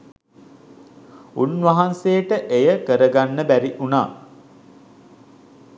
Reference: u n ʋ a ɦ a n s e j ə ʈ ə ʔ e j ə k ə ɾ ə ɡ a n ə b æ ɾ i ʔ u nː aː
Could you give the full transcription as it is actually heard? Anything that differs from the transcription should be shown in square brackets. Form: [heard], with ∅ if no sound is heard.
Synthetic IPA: u n ʋ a ɦ a n s e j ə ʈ ə ʔ e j ə k ə ɾ ə ɡ a [nː] ə b æ ɾ i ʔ u [n] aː